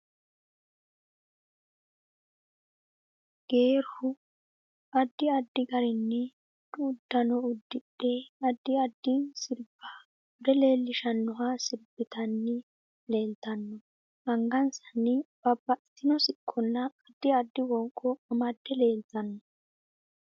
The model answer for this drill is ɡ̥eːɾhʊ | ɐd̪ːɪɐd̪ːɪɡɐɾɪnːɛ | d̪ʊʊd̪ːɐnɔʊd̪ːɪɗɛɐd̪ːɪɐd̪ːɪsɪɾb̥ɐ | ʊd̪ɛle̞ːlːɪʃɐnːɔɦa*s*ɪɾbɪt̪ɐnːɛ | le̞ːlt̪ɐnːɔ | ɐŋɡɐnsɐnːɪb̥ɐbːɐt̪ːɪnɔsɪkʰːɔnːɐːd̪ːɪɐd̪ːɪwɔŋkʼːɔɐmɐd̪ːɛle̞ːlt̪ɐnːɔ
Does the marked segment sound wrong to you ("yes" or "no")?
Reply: no